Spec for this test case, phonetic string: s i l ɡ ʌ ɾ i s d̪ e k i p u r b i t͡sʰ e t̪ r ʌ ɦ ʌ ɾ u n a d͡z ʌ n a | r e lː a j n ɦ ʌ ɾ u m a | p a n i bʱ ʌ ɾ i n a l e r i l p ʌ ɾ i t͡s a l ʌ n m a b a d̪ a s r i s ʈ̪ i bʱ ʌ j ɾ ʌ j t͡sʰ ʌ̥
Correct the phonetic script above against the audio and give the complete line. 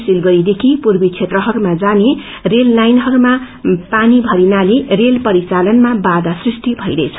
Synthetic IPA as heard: s i l ɡ ʌ ɾ i d̪ e kʰ i p u r b i t͡sʰ e t̪ r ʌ ɦ ʌ ɾ u m a d͡z a n e | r e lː a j n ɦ ʌ ɾ u m a | p a n i bʱ ʌ ɾ i n a l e r e l p ʌ ɾ i t͡s a l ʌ n m a b a d̪ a s r i s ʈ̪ i bʱ ʌ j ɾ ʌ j t͡sʰ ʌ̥